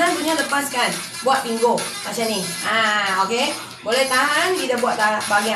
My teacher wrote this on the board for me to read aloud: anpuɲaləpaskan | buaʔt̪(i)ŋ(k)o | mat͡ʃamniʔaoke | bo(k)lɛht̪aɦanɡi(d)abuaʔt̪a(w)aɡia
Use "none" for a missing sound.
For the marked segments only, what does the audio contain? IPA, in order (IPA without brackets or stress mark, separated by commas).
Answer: i, ɡ, none, d, b